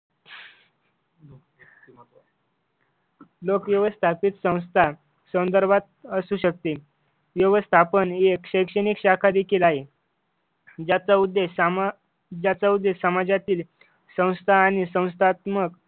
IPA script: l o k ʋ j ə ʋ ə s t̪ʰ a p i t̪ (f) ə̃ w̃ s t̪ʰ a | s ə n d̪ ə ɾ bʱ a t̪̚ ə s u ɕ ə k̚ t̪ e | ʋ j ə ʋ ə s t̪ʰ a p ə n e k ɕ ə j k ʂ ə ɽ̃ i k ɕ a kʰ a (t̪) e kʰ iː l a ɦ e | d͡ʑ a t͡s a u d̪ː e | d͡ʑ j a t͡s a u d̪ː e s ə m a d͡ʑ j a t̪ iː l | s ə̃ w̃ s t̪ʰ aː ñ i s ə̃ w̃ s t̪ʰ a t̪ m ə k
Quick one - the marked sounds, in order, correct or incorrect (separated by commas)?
incorrect, incorrect